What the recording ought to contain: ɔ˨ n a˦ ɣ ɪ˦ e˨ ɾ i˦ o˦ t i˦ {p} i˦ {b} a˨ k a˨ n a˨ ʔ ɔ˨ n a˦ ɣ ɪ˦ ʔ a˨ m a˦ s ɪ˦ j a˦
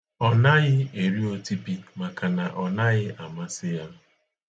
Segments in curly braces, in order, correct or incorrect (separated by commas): correct, incorrect